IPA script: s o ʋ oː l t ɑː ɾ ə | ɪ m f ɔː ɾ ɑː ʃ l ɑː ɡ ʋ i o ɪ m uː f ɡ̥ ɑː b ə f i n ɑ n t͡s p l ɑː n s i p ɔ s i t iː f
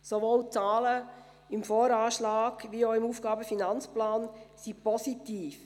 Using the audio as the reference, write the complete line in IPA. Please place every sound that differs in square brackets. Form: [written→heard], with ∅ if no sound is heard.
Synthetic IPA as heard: s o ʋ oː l [t→t͡s] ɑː [ɾ→l] ə | ɪ m f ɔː ɾ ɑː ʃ l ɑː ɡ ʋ i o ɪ m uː f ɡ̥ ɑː b ə f i n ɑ n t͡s p l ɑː n s i p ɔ s i t iː f

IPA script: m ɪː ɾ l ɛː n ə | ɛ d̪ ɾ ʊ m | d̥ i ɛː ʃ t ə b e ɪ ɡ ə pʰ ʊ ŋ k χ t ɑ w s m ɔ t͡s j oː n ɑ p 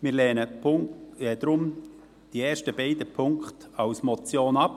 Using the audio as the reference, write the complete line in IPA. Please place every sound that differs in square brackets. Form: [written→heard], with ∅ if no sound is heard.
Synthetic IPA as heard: m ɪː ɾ l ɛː n ə | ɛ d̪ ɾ ʊ m | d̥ i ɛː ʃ t ə b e ɪ [ɡ→d] ə pʰ ʊ ŋ k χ t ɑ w s m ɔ t͡s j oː n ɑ p

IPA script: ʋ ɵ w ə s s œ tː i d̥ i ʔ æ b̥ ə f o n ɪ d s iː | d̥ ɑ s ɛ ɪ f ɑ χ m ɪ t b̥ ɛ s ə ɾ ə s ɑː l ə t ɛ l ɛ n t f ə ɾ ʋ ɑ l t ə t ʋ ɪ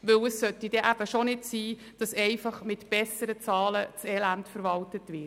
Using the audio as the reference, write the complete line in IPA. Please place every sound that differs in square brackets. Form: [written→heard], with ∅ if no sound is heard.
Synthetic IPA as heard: ʋ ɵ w ə s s œ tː i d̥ [i→ɛ] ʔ æ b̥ ə [f→ʃ] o n ɪ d s iː | d̥ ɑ s ɛ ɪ f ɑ χ m ɪ t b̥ ɛ s ə ɾ ə [s→t͡s] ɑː l ə [t→t͡s] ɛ l [ɛ→æ] n t f ə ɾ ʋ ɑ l t ə t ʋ ɪ

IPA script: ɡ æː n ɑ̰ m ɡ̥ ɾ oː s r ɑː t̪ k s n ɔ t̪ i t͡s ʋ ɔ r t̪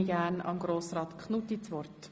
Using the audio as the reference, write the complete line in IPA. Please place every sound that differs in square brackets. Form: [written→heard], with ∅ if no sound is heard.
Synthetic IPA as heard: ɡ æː n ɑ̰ m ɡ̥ ɾ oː s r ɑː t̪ k [s→χ] n [ɔ→u] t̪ i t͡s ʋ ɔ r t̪

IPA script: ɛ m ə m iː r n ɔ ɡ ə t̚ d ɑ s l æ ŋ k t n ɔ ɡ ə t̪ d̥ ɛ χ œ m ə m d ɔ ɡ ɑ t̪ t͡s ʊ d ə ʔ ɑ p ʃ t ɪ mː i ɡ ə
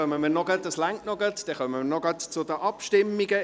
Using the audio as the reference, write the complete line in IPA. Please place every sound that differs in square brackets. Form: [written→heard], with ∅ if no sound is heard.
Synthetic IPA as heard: [ɛ→œ] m ə m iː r n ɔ ɡ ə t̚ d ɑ s l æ ŋ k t n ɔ ɡ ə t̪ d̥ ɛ χ œ m ə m [d→n] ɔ ɡ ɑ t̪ t͡s ʊ d ə ʔ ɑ p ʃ t ɪ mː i ɡ ə

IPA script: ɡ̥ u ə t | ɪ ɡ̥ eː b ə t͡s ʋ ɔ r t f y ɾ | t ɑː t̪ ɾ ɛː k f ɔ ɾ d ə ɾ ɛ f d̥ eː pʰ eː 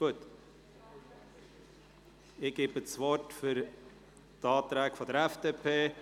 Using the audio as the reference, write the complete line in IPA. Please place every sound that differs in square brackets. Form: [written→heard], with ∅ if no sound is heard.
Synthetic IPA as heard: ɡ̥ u ə t | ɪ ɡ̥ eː b ə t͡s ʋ ɔ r t f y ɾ | t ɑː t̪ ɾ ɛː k f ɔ [ɾ→∅] d ə ɾ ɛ f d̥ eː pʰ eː

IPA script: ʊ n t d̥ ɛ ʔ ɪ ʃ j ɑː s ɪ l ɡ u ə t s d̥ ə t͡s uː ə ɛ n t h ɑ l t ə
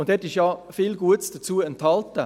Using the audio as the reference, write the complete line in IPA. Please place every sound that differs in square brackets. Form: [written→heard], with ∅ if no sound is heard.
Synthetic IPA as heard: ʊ n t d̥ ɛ [ʔ→t] ɪ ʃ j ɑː [s→f] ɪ l ɡ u ə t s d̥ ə t͡s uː ə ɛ n t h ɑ l t ə

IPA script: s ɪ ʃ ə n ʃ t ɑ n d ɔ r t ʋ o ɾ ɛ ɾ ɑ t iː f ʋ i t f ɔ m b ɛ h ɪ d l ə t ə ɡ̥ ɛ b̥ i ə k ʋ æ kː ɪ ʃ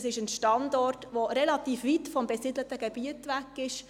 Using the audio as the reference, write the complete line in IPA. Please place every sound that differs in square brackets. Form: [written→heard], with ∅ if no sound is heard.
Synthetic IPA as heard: s ɪ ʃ ə n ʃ t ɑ n d ɔ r t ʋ o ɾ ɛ [ɾ→l] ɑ t iː f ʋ i t f ɔ m b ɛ [h→s] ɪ d l ə t ə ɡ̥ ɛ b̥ i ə [k→t] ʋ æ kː ɪ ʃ

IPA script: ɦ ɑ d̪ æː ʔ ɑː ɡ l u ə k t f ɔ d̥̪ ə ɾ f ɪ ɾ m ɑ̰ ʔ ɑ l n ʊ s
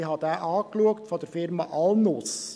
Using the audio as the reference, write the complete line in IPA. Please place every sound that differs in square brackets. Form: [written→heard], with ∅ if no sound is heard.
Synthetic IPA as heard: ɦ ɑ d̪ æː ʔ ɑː [ɡ→k] l u ə k t f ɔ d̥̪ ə ɾ f ɪ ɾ m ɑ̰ ʔ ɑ l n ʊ s

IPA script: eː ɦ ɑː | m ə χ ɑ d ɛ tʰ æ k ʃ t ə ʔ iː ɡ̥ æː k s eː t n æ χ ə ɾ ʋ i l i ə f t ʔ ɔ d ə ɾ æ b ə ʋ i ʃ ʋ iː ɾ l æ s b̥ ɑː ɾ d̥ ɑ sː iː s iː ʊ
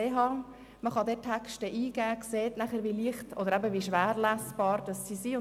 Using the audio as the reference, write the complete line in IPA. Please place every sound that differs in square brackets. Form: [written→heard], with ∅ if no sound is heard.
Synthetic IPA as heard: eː ɦ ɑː | m ə χ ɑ d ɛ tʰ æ k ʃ t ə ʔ iː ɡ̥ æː k s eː t n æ χ ə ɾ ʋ i l i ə [f→χ] t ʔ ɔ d ə ɾ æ b ə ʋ i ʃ ʋ [iː→æː] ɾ l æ s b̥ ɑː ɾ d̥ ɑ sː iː s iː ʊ

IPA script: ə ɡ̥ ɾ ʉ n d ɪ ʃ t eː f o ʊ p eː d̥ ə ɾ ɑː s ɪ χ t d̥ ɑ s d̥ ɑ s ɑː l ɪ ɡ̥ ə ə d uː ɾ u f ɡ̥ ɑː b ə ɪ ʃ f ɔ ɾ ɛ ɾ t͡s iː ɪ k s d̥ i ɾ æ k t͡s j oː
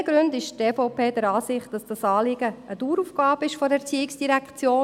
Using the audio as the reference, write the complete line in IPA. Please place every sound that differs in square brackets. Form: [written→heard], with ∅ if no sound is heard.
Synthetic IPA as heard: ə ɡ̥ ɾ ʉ n d ɪ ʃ t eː f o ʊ p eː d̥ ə ɾ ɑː s ɪ χ t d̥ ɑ s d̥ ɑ s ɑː l ɪ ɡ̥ ə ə d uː ɾ u f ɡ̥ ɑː b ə ɪ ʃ f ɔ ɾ ɛ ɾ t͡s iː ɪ k s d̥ i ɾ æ k t͡s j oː

